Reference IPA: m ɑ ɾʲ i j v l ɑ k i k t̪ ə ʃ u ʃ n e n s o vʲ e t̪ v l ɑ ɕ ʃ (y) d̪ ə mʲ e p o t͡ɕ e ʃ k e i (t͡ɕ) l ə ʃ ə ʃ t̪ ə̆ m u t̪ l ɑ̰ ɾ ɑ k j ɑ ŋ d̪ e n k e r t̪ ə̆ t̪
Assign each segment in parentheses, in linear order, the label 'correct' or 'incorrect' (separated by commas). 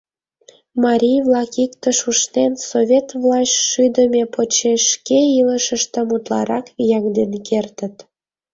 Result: correct, incorrect